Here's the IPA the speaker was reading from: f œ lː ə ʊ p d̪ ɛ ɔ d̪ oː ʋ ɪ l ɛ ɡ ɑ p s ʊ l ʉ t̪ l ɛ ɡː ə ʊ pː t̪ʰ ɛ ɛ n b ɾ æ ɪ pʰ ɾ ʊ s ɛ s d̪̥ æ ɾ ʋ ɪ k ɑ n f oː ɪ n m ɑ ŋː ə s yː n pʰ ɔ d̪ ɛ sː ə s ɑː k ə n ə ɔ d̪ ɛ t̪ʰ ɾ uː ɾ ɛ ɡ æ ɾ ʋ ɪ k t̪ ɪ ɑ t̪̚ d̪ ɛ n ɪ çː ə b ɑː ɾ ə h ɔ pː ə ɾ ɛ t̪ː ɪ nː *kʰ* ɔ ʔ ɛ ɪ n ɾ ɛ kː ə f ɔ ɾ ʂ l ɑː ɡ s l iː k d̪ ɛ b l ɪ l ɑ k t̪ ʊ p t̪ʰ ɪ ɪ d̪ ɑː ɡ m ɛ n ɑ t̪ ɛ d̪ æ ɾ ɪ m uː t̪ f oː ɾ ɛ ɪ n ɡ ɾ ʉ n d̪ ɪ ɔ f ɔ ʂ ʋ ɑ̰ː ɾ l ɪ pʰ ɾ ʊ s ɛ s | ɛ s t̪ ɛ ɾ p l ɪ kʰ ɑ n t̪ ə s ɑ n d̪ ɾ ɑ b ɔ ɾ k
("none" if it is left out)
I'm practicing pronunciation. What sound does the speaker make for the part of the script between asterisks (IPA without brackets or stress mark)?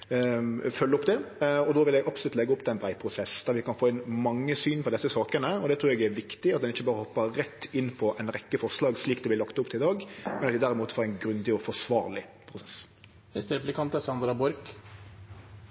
pʰ